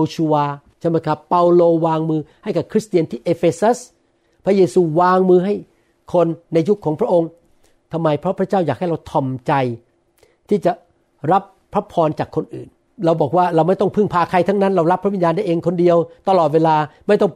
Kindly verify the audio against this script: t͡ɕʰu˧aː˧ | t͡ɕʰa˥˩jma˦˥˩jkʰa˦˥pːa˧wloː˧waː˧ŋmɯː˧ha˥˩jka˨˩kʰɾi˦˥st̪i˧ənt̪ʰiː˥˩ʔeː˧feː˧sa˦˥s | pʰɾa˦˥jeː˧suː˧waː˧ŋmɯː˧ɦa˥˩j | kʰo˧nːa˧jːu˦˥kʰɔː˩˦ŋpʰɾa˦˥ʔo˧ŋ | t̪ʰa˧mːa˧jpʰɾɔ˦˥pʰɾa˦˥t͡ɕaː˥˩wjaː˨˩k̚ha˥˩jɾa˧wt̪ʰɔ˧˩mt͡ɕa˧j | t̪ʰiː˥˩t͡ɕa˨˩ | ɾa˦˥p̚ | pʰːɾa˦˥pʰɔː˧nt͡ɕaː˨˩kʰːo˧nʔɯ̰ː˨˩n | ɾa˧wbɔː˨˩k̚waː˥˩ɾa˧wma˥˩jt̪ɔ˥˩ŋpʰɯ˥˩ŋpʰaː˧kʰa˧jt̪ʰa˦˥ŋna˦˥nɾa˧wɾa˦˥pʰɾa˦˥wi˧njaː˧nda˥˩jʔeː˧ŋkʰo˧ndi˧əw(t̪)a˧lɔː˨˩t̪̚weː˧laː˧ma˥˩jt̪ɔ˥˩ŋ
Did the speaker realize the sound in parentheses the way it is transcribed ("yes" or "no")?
yes